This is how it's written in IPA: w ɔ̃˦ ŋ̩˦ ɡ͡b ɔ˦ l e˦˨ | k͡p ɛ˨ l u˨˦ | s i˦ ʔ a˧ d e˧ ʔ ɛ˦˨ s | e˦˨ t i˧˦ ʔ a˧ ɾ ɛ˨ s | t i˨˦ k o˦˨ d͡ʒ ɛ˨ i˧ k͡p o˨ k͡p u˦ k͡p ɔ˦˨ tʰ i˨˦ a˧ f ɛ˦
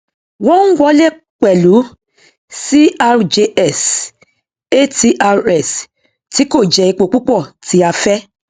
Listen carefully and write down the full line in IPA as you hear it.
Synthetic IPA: w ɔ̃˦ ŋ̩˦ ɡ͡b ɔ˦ l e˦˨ | k͡p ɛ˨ l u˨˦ | s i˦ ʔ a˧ d͡ʒ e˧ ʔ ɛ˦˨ s | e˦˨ t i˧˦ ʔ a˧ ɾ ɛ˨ s | t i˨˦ k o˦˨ d͡ʒ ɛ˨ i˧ k͡p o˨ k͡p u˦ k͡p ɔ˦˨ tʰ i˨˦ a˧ f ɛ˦